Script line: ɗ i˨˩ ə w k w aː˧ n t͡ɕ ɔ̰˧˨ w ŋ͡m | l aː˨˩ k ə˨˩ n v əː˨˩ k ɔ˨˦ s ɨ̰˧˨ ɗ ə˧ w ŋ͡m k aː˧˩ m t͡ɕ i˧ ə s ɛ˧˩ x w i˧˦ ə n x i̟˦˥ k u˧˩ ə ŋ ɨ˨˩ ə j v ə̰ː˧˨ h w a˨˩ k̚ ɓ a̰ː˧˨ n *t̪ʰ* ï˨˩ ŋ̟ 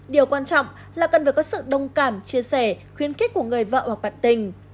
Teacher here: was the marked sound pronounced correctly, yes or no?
no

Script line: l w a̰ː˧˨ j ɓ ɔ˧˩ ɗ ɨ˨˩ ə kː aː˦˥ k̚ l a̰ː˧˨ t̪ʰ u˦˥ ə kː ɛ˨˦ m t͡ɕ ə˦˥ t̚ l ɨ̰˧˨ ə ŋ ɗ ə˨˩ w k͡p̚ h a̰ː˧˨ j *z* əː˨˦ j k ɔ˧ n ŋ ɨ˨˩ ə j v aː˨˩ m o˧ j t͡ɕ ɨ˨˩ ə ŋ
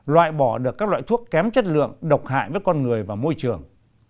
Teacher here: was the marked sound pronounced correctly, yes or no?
no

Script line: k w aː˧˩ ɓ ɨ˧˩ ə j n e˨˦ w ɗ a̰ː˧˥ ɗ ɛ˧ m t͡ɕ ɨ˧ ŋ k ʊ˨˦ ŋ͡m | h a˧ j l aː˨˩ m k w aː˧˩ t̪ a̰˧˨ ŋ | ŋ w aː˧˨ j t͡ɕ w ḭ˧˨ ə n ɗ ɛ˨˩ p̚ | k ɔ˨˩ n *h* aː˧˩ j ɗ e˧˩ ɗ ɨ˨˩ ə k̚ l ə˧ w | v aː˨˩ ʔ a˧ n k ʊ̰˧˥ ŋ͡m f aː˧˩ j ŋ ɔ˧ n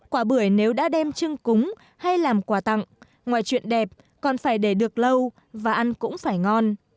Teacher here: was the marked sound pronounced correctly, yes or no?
no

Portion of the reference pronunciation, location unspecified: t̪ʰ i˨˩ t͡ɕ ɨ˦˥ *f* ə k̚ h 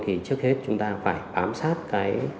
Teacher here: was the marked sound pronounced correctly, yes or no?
no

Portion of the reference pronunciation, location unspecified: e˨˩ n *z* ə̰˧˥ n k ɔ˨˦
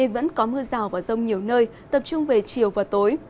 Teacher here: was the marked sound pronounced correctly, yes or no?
no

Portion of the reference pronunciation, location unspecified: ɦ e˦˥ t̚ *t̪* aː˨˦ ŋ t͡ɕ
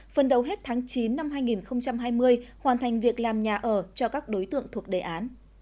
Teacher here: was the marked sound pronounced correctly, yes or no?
no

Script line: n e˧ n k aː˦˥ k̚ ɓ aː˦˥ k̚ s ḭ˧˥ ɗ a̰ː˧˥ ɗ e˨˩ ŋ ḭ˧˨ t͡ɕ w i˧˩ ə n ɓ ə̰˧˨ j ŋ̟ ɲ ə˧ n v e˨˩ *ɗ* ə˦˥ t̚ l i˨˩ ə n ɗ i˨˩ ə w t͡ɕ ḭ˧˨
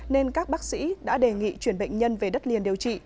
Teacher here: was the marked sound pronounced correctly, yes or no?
yes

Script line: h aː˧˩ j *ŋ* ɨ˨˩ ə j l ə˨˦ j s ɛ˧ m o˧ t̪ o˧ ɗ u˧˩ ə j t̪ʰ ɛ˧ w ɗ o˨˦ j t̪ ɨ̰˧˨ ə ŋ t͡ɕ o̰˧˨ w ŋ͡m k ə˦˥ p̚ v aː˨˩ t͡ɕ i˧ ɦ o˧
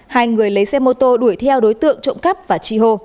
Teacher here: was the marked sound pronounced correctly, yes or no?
yes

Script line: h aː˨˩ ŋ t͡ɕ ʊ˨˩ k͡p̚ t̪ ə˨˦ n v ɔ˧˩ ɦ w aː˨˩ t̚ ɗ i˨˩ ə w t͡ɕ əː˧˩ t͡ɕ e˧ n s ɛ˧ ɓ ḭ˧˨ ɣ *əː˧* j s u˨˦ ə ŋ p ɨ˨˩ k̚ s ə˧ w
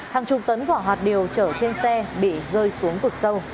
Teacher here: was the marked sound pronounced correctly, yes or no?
yes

